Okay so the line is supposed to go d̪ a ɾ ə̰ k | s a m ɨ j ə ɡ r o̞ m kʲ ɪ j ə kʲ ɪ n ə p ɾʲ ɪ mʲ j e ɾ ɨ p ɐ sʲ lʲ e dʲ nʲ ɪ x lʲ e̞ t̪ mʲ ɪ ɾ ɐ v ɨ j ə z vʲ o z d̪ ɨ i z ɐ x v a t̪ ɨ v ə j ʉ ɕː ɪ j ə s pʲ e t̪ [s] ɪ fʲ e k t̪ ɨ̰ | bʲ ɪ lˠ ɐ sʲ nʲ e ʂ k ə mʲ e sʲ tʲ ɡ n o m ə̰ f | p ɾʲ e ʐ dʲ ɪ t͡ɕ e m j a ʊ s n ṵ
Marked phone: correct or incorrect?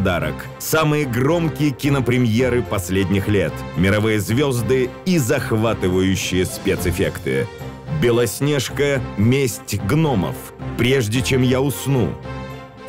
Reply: correct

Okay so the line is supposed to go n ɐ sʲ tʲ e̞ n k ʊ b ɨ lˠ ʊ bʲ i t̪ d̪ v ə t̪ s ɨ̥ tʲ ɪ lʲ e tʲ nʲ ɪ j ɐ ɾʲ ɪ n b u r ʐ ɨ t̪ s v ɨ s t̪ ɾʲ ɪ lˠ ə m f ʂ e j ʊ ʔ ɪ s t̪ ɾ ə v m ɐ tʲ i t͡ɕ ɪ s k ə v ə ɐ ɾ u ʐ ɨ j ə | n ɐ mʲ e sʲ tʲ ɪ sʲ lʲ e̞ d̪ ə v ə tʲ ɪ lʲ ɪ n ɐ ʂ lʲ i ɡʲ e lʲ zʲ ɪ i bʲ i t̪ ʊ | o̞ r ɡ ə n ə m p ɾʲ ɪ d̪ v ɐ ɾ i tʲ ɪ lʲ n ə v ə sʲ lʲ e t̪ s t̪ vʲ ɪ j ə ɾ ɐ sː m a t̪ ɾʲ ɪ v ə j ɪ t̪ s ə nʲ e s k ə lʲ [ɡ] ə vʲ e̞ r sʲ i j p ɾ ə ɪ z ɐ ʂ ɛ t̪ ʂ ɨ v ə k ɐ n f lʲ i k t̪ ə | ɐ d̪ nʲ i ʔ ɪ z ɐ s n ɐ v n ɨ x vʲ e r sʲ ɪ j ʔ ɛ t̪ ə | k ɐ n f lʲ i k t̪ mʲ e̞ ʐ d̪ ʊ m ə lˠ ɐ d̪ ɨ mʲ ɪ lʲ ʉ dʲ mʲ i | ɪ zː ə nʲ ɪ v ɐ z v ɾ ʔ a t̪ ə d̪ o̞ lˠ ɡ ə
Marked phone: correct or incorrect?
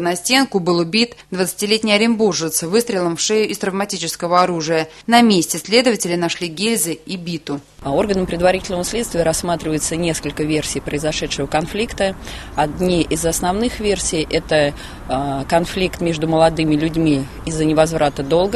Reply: incorrect: k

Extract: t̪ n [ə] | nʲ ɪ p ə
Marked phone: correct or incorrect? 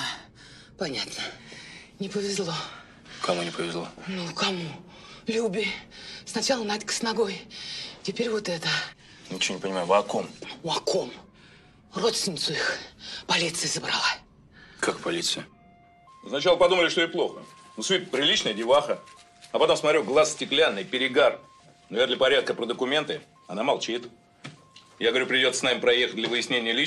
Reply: correct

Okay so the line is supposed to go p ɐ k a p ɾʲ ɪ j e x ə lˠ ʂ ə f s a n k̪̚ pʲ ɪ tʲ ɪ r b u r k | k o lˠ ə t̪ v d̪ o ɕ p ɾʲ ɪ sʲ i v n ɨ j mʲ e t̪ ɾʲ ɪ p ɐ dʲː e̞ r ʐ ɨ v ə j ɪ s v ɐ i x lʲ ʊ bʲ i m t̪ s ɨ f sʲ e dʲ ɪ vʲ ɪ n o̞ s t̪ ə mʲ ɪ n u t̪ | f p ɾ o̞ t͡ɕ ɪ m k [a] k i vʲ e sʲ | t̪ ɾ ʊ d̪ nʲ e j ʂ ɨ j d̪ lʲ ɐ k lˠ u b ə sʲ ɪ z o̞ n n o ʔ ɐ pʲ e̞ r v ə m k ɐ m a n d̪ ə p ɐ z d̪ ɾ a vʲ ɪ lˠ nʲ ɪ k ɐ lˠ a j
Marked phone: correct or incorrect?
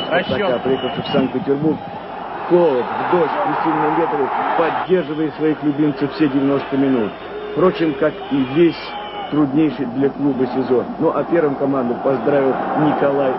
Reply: correct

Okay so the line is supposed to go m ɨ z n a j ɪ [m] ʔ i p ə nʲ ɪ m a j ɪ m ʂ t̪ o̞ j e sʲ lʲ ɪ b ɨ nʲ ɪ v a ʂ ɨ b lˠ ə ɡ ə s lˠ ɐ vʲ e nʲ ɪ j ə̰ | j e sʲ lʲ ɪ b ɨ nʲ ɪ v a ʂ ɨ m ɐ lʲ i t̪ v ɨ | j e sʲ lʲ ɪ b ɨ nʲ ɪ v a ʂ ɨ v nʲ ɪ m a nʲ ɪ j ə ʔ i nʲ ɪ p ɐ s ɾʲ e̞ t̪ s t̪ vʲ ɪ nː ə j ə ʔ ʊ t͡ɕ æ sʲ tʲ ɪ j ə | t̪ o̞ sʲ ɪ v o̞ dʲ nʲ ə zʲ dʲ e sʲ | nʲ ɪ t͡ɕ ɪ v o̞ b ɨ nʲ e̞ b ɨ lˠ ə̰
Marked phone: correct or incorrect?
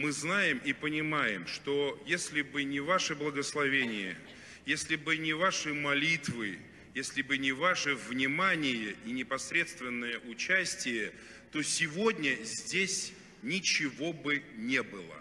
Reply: correct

